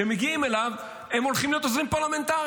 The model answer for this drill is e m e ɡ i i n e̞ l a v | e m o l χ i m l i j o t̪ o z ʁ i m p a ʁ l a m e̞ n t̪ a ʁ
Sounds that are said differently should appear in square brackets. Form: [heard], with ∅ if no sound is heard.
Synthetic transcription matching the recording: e m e ɡ i i [m] e̞ l a v | e m o l χ i m l i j o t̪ o z ʁ i m p a ʁ l a m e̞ n t̪ a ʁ